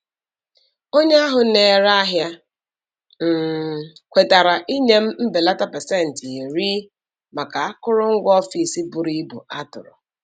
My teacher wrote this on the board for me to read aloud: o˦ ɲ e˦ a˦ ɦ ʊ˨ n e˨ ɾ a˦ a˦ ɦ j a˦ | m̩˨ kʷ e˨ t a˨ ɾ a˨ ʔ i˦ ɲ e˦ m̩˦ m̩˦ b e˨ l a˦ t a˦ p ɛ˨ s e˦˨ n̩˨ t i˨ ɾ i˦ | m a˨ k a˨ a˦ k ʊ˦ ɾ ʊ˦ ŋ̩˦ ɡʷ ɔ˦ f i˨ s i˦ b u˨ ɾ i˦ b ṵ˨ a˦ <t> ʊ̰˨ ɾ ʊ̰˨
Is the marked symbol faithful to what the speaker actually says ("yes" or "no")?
yes